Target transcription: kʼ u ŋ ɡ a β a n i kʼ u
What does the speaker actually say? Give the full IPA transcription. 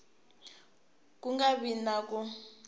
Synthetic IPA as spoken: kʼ u ŋ ɡ a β i n a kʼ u